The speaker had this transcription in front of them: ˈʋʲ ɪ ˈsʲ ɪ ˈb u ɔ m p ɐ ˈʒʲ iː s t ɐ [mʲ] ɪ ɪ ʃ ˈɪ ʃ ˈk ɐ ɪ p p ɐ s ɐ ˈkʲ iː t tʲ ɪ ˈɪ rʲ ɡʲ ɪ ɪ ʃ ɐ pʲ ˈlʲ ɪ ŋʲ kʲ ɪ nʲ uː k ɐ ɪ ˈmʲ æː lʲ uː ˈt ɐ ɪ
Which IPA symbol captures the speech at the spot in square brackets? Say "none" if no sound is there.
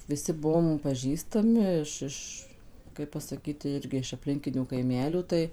mʲ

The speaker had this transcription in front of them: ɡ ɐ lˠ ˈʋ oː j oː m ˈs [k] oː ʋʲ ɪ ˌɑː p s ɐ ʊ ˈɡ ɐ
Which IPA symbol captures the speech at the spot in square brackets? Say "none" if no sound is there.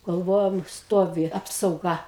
t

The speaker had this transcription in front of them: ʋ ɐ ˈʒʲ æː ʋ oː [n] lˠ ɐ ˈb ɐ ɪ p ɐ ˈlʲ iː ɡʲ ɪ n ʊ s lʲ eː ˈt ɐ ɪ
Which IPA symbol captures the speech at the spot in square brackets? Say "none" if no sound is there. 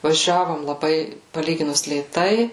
m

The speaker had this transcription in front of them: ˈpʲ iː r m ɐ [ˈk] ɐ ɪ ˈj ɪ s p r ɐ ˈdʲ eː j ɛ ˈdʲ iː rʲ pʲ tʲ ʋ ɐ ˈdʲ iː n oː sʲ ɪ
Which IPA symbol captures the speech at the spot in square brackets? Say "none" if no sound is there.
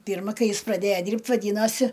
k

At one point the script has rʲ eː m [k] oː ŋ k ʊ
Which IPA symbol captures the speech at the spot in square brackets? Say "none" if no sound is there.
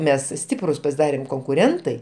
k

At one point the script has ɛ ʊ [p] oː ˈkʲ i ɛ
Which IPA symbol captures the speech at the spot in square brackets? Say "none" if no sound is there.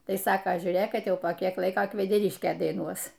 p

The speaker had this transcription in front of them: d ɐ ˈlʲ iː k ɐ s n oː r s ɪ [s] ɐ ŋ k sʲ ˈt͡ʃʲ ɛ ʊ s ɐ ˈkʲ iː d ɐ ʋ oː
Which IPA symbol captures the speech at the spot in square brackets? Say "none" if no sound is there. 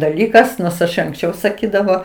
ʃ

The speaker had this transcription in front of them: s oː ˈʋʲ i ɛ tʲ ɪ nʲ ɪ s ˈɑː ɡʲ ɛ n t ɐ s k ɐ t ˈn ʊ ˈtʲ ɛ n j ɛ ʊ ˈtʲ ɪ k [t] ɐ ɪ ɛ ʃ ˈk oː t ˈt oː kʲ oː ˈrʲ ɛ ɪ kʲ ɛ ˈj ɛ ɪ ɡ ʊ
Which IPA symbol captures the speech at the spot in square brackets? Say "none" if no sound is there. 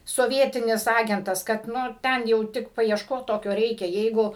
p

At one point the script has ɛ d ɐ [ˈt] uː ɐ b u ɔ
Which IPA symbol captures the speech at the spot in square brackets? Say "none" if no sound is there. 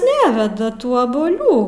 t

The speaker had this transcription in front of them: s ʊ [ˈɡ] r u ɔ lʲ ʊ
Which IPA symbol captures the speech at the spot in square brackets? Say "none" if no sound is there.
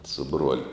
b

